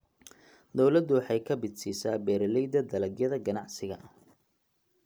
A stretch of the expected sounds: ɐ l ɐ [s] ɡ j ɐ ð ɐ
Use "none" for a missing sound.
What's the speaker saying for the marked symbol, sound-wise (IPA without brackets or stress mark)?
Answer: none